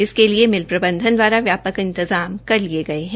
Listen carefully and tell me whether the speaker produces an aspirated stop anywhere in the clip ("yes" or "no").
no